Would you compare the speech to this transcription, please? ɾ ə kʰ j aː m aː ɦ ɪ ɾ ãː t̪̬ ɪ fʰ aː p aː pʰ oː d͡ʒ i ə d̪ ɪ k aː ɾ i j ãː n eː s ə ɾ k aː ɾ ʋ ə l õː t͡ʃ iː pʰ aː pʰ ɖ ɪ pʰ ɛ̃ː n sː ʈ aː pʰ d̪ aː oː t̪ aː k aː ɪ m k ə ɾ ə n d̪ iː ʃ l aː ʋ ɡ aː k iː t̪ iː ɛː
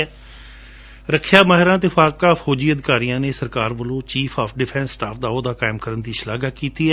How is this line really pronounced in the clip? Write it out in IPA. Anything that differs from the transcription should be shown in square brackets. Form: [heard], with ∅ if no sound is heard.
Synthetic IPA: ɾ ə kʰ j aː m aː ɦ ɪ ɾ ãː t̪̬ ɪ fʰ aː [k] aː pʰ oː d͡ʒ [iː] ə d̪ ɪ k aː ɾ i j ãː n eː s ə ɾ k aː ɾ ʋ ə l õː t͡ʃ iː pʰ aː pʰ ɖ ɪ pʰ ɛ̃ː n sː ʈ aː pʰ d̪ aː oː [d̪] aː k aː ɪ m k ə ɾ ə n d̪ iː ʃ l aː [∅] ɡ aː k iː t̪ iː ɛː

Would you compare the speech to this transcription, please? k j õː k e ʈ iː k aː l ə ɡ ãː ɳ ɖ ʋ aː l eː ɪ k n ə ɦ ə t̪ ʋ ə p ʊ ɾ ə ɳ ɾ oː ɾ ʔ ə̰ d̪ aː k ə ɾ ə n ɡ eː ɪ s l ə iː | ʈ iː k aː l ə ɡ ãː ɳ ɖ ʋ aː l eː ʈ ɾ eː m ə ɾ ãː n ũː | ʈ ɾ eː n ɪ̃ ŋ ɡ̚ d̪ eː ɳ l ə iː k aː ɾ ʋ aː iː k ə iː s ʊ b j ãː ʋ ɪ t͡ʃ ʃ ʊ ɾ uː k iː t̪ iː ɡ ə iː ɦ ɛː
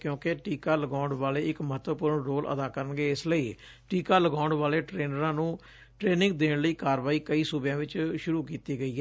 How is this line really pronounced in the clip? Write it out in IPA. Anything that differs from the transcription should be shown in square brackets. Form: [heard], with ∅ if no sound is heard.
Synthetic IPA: k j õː k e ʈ iː k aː l ə ɡ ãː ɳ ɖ ʋ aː l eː ɪ k [m] ə ɦ ə t̪ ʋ ə p ʊ ɾ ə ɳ ɾ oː [l] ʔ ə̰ d̪ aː k ə ɾ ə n ɡ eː ɪ s l ə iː | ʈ iː k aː l ə ɡ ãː ɳ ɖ ʋ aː l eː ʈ ɾ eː [n] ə ɾ ãː n ũː | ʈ ɾ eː n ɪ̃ ŋ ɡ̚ d̪ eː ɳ l ə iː k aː ɾ ʋ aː iː k ə iː s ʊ b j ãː ʋ ɪ t͡ʃ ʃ ʊ ɾ uː k iː t̪ iː ɡ ə iː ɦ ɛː

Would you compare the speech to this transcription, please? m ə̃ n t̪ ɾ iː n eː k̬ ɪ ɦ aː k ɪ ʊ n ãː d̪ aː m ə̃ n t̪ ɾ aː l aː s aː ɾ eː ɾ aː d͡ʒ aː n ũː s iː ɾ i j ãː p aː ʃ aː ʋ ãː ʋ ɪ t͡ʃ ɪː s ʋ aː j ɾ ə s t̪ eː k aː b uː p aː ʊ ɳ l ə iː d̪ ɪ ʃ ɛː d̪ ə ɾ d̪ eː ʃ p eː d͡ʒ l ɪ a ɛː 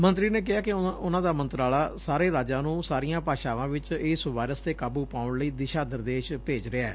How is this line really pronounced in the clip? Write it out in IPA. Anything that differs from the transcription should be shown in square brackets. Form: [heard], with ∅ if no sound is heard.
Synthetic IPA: m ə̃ n t̪ ɾ iː n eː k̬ ɪ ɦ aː k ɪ ʊ n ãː d̪ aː m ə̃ n t̪ ɾ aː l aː s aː ɾ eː ɾ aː d͡ʒ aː n ũː s [aː] ɾ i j ãː p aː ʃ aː ʋ ãː ʋ ɪ t͡ʃ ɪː s ʋ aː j ɾ ə s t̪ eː k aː b uː p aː ʊ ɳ l ə iː d̪ ɪ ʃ [aː] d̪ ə ɾ d̪ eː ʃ p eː d͡ʒ [ɾ] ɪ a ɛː

